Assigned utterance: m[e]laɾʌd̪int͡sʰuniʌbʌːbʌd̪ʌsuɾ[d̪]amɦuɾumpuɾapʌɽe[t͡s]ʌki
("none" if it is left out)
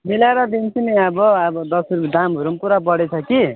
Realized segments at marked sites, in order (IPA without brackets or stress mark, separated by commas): i, d̪, t͡sʰ